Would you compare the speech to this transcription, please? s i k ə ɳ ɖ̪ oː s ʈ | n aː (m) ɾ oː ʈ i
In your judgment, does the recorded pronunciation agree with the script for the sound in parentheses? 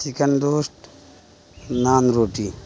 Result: no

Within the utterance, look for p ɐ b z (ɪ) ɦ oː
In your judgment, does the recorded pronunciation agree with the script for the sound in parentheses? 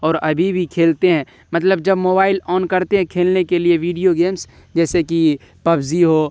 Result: no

